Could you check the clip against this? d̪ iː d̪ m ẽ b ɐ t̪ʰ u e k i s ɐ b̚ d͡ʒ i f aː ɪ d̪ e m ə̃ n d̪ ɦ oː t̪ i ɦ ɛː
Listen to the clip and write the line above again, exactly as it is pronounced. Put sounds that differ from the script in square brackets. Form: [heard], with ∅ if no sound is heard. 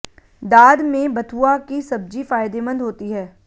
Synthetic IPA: d̪ [aː] d̪ m ẽ b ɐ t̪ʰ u [a] k i s ɐ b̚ d͡ʒ i f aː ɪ d̪ e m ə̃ n d̪ ɦ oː t̪ i ɦ ɛː